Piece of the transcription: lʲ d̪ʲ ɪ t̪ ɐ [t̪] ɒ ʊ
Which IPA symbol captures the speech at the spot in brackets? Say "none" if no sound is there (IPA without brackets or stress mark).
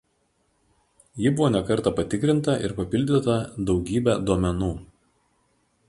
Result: d̪